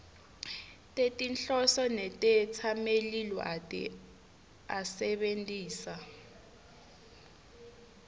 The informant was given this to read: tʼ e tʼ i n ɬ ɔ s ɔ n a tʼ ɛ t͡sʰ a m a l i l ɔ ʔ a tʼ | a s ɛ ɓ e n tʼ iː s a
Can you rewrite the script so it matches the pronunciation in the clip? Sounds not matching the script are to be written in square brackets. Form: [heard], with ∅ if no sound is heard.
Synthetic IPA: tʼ e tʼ i n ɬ ɔ s ɔ n [ɛ] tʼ ɛ t͡sʰ a m [e] l i l ɔ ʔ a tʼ | a s ɛ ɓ e n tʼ iː s a